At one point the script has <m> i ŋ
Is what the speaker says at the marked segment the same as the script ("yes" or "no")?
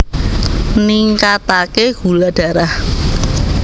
no